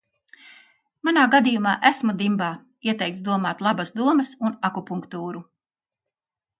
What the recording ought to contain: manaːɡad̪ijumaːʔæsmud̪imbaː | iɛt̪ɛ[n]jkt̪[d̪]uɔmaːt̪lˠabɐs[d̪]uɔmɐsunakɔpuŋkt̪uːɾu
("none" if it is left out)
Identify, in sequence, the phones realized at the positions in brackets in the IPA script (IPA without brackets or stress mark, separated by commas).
none, d̪, d̪